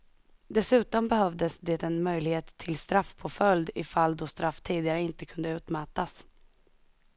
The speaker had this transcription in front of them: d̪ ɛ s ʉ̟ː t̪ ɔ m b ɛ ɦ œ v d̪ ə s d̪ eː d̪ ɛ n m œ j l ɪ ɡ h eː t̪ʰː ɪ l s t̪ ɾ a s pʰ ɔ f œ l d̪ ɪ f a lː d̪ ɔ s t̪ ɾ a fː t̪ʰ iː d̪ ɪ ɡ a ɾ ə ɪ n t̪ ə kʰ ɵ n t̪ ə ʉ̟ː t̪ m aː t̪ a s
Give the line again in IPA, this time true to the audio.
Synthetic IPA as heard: d̪ ɛ s ʉ̟ː t̪ ɔ m b ɛ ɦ œ v d̪ ə s d̪ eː t̪ ɛ n m œ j l ɪ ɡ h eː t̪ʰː ɪ l s t̪ ɾ a f pʰ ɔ f œ l d̪ ɪ f a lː d̪ ɔ s t̪ ɾ a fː t̪ʰ iː d̪ ɪ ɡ a ɾ ə ɪ n t̪ ə kʰ ɵ n d̪ ə ʉ̟ː t̪ m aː t̪ a s